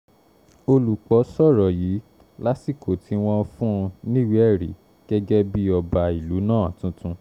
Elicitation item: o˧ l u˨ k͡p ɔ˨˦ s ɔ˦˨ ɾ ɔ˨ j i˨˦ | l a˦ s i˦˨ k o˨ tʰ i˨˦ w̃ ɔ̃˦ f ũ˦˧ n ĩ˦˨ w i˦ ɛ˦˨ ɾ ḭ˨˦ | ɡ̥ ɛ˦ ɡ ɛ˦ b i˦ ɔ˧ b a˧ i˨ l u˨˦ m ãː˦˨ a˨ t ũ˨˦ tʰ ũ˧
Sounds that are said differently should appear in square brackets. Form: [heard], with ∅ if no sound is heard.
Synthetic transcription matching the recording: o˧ l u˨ k͡p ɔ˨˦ s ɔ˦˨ ɾ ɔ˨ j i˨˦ | l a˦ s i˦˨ k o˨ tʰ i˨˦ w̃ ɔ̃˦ f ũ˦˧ n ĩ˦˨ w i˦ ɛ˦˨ ɾ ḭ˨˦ | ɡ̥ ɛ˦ ɡ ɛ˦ b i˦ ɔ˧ b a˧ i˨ l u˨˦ [n] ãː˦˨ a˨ t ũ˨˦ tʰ ũ˧